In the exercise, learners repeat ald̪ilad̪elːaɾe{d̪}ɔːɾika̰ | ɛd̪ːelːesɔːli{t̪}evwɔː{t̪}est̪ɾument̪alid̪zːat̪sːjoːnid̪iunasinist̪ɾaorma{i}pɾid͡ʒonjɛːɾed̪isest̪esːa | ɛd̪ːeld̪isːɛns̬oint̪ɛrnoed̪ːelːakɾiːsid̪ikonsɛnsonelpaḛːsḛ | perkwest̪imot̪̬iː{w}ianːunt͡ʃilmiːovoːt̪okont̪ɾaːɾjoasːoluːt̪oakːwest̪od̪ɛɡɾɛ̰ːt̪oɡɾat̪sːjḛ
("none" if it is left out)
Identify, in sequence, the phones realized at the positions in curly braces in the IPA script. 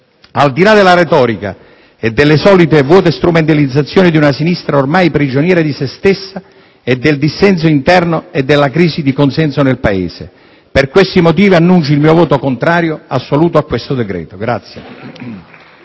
t̪, t̪, t̪, j, v

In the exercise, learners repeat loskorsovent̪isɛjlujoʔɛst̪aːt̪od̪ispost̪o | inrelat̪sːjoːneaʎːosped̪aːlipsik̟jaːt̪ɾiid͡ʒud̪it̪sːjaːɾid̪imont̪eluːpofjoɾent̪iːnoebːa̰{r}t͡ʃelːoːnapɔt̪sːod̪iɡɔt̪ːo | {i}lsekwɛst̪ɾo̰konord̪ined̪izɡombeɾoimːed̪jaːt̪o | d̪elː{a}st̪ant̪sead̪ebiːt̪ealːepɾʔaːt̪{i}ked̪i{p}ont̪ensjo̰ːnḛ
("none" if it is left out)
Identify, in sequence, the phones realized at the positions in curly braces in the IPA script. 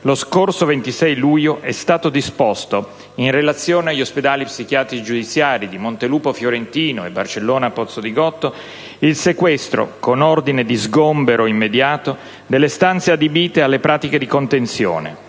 r, i, e, i, k

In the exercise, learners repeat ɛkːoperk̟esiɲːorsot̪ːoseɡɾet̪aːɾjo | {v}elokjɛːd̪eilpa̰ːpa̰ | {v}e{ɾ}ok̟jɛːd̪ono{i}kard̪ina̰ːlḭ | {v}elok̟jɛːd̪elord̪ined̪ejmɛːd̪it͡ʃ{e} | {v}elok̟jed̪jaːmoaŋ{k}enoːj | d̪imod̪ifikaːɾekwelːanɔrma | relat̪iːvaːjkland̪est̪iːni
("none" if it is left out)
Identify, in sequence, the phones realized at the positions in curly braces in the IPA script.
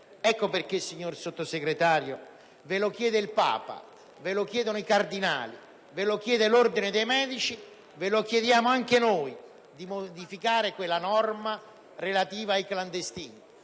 v, v, l, i, v, i, v, k

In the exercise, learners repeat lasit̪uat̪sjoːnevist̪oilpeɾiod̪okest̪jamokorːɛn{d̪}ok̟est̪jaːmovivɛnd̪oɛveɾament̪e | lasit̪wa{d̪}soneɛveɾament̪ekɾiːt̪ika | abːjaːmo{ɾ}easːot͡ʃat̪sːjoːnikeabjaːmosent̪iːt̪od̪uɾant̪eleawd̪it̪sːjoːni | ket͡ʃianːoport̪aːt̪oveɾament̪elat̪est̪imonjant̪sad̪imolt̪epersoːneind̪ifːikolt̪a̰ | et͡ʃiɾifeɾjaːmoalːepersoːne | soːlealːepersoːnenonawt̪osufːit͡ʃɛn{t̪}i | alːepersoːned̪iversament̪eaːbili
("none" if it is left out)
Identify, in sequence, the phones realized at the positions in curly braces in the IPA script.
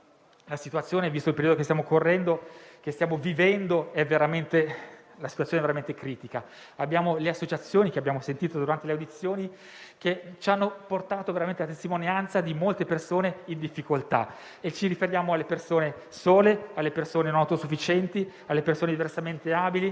d̪, t̪, l, t̪

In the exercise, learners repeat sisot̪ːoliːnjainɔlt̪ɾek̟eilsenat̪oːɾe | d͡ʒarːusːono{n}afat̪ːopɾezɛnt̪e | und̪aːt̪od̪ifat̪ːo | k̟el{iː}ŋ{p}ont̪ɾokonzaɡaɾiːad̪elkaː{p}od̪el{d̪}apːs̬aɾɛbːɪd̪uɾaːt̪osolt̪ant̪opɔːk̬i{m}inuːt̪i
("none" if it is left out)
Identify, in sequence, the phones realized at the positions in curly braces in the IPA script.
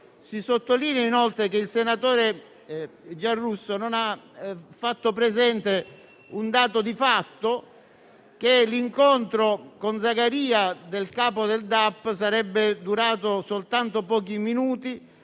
n, i, k, p, d̪, m

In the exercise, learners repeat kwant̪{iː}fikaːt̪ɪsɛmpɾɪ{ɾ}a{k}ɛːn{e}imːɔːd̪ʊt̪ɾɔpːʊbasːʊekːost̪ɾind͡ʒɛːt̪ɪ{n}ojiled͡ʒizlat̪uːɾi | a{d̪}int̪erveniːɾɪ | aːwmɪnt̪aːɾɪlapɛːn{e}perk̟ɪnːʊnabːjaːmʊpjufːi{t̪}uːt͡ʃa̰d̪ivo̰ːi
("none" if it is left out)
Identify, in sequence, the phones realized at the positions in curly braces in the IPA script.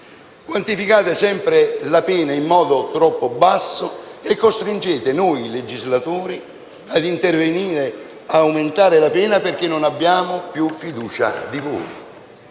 i, l, p, a, n, d̪, a, d̪

